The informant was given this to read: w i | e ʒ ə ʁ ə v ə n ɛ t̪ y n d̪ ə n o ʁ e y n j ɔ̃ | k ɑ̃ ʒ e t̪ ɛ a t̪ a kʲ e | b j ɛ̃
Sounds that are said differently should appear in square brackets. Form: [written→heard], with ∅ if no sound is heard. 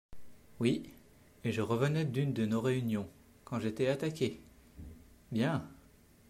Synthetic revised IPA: w i | e ʒ ə ʁ ə v ə n ɛ [t̪→d̪] y n d̪ ə n o ʁ e y n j ɔ̃ | k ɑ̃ ʒ e t̪ ɛ a t̪ a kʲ e | b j ɛ̃

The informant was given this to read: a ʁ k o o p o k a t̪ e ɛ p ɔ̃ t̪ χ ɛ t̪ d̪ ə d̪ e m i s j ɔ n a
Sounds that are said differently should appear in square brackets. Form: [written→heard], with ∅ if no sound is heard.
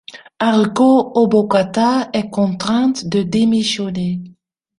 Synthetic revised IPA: a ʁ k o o [p→b] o k a t̪ [e→a] ɛ [p→k] ɔ̃ t̪ χ [ɛ→ɛ̃] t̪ d̪ ə d̪ e m i s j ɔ n [a→e]

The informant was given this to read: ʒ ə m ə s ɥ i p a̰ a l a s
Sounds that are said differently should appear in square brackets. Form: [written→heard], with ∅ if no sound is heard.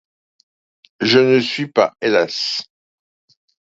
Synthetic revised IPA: ʒ ə [m→n] ə s ɥ i p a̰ [a→e] l a s

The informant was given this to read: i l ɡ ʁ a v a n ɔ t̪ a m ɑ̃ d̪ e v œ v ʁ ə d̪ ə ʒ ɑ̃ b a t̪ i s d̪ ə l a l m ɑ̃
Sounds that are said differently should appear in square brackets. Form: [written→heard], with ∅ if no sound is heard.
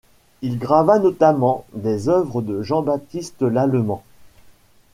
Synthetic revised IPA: i l ɡ ʁ a v a n ɔ t̪ a m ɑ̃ d̪ e [v→z] œ v ʁ ə d̪ ə ʒ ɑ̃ b a t̪ i s [d̪→t̪] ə l a l m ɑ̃

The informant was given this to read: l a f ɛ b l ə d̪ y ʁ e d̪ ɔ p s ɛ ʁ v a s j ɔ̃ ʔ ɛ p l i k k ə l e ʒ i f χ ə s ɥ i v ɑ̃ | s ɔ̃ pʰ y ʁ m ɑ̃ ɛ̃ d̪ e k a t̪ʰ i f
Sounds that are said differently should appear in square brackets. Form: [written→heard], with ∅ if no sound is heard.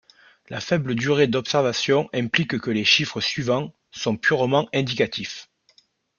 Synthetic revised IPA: l a f ɛ b l ə d̪ y ʁ e d̪ ɔ p s ɛ ʁ v a s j ɔ̃ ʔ [ɛ→ɛ̃] p l i k k ə l e [ʒ→ʃ] i f χ ə s ɥ i v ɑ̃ | s ɔ̃ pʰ y ʁ m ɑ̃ ɛ̃ d̪ [e→i] k a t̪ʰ i f

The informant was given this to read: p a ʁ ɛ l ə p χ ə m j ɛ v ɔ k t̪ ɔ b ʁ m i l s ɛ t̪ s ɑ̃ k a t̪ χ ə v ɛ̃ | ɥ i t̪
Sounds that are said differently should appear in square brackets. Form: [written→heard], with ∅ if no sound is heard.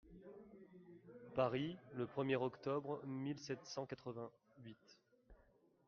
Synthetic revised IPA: p a ʁ [ɛ→i] l ə p χ ə m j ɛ [v→ʁ] ɔ k t̪ ɔ b ʁ m i l s ɛ t̪ s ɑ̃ k a t̪ χ ə v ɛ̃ | ɥ i t̪

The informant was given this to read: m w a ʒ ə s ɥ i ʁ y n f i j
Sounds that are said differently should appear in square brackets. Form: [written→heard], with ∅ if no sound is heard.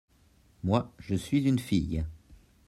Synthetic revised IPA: m w a ʒ ə s ɥ i [ʁ→z] y n f i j

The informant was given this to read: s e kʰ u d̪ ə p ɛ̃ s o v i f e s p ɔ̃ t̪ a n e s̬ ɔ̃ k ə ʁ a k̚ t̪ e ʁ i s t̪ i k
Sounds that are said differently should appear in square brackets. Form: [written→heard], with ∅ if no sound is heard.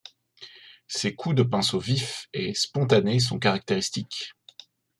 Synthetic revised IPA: s e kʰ u d̪ ə p ɛ̃ s o v i f e s p ɔ̃ t̪ a n e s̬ ɔ̃ k [ə→a] ʁ a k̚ t̪ e ʁ i s t̪ i k

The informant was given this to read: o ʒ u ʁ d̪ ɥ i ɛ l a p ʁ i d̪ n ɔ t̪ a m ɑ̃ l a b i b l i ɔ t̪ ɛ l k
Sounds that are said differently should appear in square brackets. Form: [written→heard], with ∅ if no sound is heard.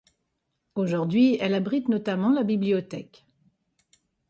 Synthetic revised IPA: o ʒ u ʁ d̪ ɥ i ɛ l a [p→b] ʁ i [d̪→t̪] n ɔ t̪ a m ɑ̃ l a b i b l i ɔ t̪ ɛ [l→∅] k

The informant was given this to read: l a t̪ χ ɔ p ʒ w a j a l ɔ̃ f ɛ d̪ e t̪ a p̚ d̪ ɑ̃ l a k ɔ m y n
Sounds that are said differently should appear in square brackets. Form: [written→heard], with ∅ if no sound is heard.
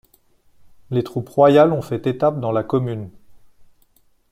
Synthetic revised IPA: l [a→e] t̪ χ [ɔ→u] p [ʒ→ʁ] w a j a l ɔ̃ f ɛ [d̪→t̪] e t̪ a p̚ d̪ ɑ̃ l a k ɔ m y n

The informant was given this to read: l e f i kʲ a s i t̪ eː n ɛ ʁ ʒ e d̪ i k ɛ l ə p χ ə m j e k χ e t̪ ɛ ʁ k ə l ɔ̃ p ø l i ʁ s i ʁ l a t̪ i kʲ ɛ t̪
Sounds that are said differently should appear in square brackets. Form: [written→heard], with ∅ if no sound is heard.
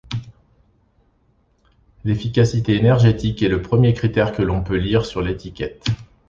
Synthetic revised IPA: l e f i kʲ a s i t̪ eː n ɛ ʁ ʒ e [d̪→t̪] i k ɛ l ə p χ ə m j e k χ [e→i] t̪ ɛ ʁ k ə l ɔ̃ p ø l i ʁ s [i→y] ʁ l [a→e] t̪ i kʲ ɛ t̪

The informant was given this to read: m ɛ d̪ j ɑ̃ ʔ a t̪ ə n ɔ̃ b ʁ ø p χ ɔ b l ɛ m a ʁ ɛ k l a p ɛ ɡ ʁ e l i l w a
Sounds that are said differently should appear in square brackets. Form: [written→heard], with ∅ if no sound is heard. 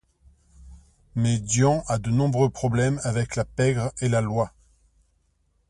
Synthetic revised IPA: m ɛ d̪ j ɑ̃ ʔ a [t̪→d̪] ə n ɔ̃ b ʁ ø p χ ɔ b l ɛ m a [ʁ→v] ɛ k l a p ɛ ɡ ʁ e l [i→a] l w a

